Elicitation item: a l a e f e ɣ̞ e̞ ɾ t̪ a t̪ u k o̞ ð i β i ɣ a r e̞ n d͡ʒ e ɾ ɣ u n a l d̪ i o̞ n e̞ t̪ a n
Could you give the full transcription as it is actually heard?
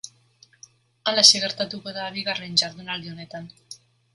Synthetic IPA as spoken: a l a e s e ɣ̞ e̞ ɾ t̪ a t̪ u k o̞ ð a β i ɣ a r e̞ n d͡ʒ a ɾ ð u n a l d̪ i o̞ n e̞ t̪ a n